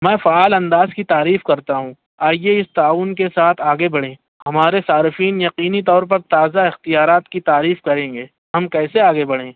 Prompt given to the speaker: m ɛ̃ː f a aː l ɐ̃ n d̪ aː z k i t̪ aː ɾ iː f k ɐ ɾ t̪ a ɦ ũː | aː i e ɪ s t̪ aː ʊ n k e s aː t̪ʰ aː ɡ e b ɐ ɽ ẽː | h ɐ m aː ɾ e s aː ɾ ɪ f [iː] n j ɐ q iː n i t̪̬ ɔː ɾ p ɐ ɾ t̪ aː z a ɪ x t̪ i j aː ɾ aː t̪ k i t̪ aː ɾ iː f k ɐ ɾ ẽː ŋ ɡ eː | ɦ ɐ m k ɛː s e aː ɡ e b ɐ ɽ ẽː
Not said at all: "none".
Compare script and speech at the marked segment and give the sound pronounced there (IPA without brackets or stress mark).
iː